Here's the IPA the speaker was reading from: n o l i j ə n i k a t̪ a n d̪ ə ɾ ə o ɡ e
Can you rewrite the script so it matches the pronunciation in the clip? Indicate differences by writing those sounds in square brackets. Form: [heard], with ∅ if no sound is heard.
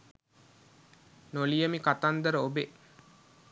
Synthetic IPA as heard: n o l i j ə [m] i k a t̪ a n d̪ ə ɾ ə o [b] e